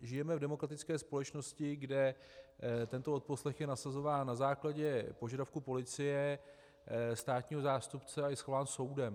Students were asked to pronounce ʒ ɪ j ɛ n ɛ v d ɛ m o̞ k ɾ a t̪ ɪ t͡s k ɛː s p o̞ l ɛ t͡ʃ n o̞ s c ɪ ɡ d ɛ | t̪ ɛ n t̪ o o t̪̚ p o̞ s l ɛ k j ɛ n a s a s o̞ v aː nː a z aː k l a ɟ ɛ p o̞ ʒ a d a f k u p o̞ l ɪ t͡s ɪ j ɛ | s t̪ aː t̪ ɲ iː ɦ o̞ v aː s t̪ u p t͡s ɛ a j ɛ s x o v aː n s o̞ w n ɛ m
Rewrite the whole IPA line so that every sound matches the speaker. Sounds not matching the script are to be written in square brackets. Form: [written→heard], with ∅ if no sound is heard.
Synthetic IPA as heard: ʒ ɪ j ɛ [n→m] ɛ v d ɛ m o̞ k ɾ a t̪ ɪ t͡s k ɛː s p o̞ l ɛ t͡ʃ n o̞ s c ɪ ɡ d ɛ | t̪ ɛ n t̪ o o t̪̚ p o̞ s l ɛ [k→x] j ɛ n a s a [s→z] o̞ v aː nː a z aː k l a ɟ ɛ p o̞ ʒ a d a f k u p o̞ l ɪ t͡s ɪ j ɛ | s t̪ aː t̪ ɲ iː ɦ o̞ [v→z] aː s t̪ u p t͡s ɛ a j ɛ s x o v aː n s o̞ w [n→d] ɛ m